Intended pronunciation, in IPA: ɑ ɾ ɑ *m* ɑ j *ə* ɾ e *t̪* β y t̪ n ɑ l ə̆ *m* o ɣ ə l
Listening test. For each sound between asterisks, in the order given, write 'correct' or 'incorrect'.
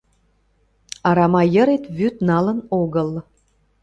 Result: correct, correct, correct, incorrect: n

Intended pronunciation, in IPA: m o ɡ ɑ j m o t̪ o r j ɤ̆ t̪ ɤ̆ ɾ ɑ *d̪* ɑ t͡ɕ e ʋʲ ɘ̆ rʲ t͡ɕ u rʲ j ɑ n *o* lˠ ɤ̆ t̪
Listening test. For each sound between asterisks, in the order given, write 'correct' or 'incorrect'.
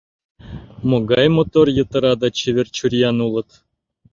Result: correct, incorrect: u

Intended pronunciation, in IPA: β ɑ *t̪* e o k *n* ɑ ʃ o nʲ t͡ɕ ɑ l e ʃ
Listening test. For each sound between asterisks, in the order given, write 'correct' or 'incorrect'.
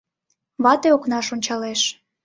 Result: correct, correct

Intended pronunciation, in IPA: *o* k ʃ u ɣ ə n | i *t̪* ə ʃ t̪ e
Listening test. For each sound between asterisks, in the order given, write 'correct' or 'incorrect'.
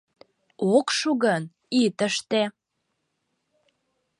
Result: correct, correct

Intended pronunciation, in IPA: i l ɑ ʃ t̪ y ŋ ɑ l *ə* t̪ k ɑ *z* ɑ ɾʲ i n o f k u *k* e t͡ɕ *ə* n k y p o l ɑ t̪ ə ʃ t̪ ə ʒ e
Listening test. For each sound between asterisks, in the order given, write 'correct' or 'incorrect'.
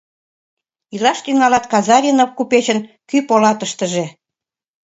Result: incorrect: ɑ, correct, incorrect: p, correct

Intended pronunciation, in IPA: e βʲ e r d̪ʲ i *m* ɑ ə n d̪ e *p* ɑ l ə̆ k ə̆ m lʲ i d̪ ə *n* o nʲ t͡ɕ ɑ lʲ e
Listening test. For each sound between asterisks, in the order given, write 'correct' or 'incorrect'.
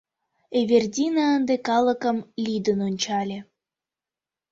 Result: incorrect: n, incorrect: k, correct

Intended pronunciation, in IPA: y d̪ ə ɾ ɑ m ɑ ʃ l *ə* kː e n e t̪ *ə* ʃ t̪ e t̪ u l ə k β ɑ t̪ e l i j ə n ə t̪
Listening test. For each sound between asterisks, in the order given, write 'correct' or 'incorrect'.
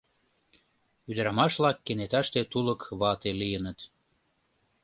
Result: incorrect: ɑ, incorrect: ɑ

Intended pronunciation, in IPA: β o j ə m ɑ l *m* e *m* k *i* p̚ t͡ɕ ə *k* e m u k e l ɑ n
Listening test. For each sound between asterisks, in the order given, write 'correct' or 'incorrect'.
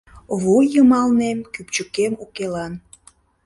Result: incorrect: n, correct, incorrect: y, correct

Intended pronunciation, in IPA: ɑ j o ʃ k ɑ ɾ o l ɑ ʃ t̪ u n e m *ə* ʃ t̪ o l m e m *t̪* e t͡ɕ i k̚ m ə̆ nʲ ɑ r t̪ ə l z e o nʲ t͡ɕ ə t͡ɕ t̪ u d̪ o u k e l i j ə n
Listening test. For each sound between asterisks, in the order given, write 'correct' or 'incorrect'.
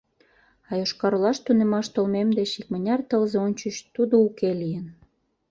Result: incorrect: ɑ, incorrect: d̪

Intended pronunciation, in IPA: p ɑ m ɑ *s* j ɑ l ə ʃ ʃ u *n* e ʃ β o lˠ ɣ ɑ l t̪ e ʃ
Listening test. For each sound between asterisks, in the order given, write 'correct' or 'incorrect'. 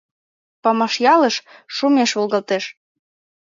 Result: incorrect: ʃ, incorrect: m

